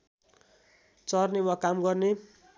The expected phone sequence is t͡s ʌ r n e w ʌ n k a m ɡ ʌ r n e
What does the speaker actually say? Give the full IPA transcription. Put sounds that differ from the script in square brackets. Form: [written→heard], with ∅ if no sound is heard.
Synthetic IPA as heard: t͡s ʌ r n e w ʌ [n→∅] k a m ɡ ʌ r n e